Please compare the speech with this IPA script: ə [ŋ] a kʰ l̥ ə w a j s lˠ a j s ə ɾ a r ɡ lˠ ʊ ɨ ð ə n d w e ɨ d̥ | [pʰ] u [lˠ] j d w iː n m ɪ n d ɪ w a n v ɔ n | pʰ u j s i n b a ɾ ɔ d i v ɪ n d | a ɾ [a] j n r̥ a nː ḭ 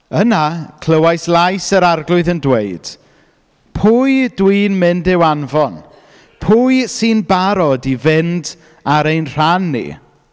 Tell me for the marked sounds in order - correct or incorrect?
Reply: incorrect, correct, incorrect, incorrect

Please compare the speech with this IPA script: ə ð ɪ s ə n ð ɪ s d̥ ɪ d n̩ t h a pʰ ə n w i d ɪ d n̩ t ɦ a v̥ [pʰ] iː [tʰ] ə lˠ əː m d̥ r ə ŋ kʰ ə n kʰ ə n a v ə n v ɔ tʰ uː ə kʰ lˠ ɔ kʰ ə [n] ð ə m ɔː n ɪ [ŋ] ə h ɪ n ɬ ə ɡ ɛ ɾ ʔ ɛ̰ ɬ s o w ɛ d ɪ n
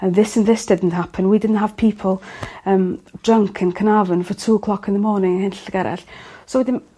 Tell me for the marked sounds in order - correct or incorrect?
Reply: correct, incorrect, correct, correct

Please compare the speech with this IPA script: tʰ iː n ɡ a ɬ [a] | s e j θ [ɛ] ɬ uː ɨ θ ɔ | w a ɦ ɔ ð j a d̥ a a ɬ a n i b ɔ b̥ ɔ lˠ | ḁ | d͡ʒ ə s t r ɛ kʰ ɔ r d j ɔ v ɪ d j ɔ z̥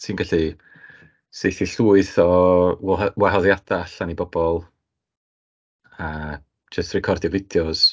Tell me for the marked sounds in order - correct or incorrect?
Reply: incorrect, incorrect

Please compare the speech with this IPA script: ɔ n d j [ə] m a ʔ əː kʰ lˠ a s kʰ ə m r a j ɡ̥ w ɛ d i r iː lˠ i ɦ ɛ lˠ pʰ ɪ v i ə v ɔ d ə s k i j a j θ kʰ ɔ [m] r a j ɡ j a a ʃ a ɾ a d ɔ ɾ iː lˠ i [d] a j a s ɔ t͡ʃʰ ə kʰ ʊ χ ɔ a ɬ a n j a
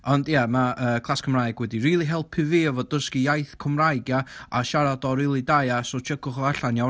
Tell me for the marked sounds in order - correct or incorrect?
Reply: incorrect, correct, correct

